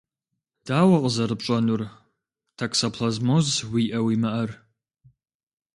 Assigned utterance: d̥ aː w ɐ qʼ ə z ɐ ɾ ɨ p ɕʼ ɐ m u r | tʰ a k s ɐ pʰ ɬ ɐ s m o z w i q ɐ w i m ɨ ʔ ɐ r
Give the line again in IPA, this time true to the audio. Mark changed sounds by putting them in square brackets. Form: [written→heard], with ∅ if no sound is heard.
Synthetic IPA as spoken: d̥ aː w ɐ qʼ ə z ɐ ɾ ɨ p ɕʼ ɐ [m→n] u r | tʰ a k s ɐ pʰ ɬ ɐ [s→z] m o z w i [q→ʔ] ɐ w i m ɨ ʔ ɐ r